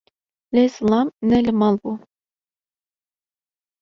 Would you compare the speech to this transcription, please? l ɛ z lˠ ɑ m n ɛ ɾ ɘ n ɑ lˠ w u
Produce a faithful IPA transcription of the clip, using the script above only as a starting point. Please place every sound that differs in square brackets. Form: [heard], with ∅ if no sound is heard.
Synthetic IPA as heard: l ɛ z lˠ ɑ m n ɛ [l] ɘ [m] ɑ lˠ [b] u